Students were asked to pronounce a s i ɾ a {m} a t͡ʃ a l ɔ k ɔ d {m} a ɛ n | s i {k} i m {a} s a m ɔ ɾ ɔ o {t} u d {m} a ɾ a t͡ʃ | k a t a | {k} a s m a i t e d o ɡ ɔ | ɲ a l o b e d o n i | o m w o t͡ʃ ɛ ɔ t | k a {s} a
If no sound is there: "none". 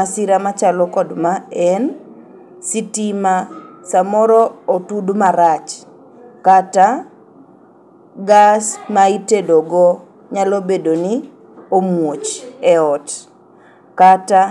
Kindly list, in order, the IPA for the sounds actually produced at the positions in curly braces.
m, m, t, a, t, m, ɡ, t

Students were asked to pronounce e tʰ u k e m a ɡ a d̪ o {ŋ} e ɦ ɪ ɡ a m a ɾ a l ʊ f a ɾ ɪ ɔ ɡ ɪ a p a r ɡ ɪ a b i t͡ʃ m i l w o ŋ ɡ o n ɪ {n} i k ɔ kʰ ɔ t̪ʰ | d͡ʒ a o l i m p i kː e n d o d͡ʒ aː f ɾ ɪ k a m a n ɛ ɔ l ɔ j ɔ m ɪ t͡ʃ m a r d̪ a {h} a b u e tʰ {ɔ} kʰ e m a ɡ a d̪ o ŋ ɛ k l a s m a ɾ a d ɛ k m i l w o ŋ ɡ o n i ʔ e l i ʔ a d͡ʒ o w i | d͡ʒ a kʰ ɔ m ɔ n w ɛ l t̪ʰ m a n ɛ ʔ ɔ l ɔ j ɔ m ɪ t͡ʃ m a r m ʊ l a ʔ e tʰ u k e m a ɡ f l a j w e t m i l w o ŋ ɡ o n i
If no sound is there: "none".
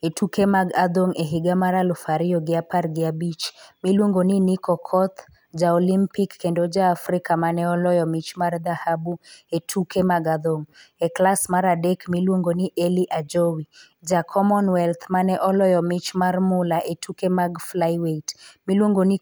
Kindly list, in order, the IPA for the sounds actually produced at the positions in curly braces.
ŋ, n, h, u

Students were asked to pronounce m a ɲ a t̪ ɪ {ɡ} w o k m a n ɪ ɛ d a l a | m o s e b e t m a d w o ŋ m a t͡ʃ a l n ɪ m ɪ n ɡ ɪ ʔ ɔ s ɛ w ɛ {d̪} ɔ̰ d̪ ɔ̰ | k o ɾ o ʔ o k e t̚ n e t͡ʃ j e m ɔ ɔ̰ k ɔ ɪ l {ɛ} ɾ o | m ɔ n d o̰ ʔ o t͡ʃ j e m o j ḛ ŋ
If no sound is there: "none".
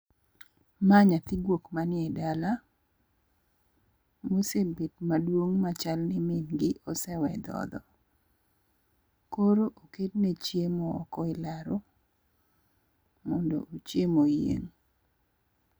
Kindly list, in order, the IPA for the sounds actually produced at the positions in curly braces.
ɡ, d̪, a

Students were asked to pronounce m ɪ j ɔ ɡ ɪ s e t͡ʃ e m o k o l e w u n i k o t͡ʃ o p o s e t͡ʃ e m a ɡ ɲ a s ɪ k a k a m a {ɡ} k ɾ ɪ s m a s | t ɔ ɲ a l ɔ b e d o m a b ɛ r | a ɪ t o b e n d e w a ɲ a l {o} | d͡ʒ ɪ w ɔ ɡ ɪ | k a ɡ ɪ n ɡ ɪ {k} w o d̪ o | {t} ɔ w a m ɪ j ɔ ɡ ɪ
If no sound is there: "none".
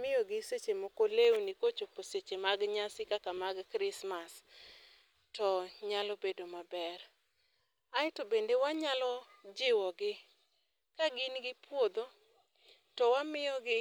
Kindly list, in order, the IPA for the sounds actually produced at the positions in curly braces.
ɡ, ɔ, p, t

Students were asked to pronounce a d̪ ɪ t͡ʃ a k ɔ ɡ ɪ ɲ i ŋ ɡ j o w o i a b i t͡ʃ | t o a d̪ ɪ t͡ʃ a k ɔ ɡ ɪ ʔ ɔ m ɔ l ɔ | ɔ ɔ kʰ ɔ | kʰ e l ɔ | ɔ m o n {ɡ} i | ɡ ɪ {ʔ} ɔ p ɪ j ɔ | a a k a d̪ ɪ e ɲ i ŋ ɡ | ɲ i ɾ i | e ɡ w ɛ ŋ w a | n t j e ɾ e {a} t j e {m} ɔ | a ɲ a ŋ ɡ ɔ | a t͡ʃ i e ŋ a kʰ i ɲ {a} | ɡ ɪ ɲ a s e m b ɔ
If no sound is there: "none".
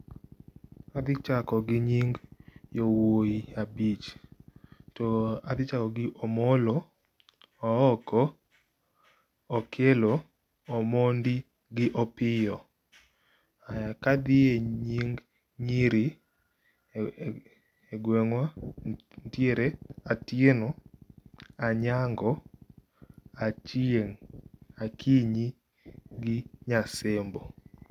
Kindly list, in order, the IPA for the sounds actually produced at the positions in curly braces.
d, ʔ, a, n, i

